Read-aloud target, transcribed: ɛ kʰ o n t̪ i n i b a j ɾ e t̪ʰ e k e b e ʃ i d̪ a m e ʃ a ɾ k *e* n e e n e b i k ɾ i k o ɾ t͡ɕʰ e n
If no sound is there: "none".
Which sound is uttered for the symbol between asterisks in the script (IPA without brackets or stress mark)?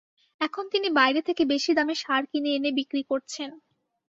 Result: i